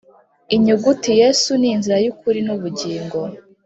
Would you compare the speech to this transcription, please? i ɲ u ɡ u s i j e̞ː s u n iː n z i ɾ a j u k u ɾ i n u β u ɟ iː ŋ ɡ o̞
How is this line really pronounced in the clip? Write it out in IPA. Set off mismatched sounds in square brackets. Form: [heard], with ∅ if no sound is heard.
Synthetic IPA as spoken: i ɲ u ɡ u [t] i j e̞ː s u n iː n z i ɾ a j u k u ɾ i n u β u ɟ iː ŋ ɡ o̞